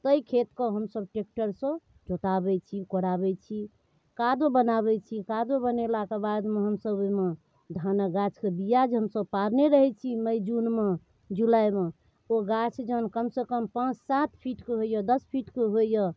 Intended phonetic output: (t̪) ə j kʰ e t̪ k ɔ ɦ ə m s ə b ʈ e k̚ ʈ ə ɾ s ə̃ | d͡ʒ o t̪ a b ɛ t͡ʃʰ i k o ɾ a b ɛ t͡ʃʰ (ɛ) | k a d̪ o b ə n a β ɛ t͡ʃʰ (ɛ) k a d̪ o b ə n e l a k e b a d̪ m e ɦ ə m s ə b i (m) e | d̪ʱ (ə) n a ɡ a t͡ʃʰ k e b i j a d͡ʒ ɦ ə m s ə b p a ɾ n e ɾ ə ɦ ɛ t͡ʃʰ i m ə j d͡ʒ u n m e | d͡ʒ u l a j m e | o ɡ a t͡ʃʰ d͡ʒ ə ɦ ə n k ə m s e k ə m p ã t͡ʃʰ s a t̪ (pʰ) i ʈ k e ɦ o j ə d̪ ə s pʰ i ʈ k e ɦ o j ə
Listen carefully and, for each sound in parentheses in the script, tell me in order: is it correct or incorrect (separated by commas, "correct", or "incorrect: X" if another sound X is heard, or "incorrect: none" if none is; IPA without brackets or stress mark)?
correct, incorrect: i, incorrect: i, correct, incorrect: a, correct